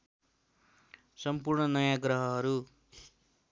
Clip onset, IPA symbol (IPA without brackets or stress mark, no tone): s